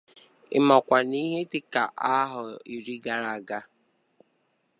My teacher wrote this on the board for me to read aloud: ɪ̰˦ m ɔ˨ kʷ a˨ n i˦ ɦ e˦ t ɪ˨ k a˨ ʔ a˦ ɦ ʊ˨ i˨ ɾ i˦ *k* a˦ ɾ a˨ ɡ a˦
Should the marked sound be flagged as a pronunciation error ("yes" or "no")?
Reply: yes